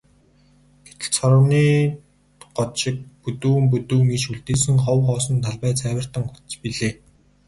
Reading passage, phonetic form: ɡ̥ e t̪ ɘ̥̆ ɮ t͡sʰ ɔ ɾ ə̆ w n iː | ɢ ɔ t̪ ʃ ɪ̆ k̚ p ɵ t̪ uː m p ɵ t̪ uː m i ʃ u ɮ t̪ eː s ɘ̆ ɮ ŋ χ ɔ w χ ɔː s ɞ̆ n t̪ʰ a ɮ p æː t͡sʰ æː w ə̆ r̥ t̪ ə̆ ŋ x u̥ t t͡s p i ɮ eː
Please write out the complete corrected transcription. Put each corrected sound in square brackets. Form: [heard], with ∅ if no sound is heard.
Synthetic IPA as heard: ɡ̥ e t̪ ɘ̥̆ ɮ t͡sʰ ɔ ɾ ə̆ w n iː | ɢ ɔ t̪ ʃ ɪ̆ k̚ p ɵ t̪ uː m p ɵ t̪ uː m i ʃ u ɮ t̪ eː s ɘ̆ [∅] ŋ χ ɔ w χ ɔː s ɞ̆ n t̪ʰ a ɮ p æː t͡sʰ æː w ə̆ r̥ t̪ ə̆ ŋ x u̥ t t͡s p i ɮ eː